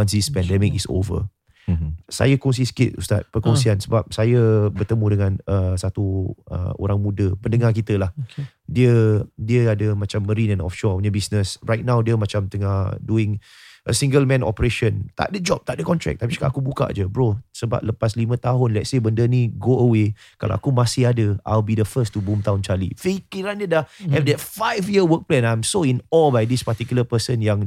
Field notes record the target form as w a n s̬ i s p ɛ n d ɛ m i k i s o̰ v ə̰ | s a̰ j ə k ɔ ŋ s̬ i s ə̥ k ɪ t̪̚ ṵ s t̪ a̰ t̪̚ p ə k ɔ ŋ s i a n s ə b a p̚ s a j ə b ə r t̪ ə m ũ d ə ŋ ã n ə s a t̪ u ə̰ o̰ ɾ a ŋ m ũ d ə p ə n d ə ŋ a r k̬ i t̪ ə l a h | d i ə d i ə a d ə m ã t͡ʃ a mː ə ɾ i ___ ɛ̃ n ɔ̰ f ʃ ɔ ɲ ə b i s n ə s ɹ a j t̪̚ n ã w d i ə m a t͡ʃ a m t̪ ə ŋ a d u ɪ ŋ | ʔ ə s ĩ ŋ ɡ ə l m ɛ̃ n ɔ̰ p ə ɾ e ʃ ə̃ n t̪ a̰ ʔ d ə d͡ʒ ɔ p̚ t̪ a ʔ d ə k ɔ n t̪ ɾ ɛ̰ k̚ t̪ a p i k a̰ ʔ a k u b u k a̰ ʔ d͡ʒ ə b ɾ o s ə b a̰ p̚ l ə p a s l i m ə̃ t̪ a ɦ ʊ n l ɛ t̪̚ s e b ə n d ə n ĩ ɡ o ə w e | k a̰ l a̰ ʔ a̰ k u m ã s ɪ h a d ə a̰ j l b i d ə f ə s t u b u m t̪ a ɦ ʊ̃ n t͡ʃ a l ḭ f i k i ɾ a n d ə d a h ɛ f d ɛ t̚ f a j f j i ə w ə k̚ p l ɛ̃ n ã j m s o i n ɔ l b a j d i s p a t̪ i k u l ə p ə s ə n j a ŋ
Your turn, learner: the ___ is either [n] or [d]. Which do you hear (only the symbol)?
n